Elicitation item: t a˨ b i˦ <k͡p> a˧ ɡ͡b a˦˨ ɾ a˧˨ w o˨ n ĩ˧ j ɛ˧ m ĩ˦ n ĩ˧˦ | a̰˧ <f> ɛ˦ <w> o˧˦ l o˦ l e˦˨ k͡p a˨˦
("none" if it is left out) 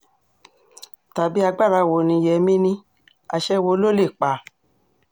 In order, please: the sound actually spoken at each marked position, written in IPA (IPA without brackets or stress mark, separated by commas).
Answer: none, ʃ, w